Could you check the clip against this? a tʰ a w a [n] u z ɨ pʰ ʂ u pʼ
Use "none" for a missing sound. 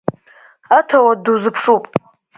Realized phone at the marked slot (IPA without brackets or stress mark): d